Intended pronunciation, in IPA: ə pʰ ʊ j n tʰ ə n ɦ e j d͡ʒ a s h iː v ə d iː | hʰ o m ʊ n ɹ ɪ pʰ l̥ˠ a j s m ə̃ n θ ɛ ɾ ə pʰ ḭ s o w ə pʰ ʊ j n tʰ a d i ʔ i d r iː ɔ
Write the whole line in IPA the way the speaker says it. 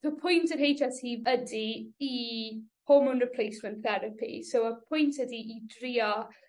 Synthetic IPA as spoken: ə pʰ ʊ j n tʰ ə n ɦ e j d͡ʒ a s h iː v ə d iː | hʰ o m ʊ n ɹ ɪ pʰ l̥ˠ e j s m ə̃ n θ ɛ ɾ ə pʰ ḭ s o w ə pʰ ʊ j n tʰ ə d i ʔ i d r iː ɔ